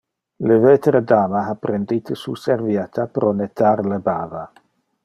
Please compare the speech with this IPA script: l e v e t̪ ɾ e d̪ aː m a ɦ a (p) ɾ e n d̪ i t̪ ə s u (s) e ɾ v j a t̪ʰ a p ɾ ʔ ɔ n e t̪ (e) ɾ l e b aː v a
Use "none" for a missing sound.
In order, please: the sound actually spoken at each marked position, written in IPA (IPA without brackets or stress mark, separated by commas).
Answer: p, s, a